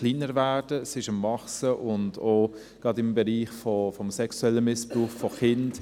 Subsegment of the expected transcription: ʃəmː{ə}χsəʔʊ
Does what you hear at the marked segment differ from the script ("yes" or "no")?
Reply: yes